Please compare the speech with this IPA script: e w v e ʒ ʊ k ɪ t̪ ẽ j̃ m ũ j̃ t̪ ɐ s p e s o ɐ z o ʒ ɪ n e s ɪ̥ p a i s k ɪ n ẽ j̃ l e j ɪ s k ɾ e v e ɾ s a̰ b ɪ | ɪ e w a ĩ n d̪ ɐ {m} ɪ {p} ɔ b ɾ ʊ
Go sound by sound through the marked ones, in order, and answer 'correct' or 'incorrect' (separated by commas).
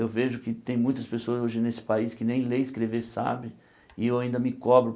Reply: correct, incorrect